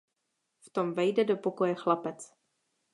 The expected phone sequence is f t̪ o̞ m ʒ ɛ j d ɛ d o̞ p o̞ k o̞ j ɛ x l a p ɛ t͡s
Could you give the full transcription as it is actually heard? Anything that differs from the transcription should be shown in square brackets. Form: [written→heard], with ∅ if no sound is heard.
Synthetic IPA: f t̪ o̞ m [ʒ→v] ɛ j d ɛ d o̞ p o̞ k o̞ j ɛ x l a p ɛ t͡s